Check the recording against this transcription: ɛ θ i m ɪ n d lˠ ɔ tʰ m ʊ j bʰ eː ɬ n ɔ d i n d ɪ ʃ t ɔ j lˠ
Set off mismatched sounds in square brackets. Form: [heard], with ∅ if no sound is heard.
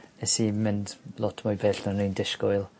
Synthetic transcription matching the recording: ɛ [s] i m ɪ n d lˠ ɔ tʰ m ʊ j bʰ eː ɬ n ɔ [n] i n d ɪ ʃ [k] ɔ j lˠ